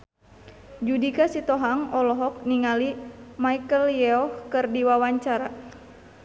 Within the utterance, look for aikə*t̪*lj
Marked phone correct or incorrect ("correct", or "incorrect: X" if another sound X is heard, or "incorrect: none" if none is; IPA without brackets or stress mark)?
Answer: incorrect: none